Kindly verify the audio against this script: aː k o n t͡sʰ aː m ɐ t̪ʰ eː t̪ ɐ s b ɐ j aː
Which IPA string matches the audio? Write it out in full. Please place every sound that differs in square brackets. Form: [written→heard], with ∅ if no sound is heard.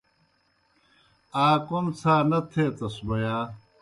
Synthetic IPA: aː k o [n→m] t͡sʰ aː [m→n] ɐ t̪ʰ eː t̪ ɐ s b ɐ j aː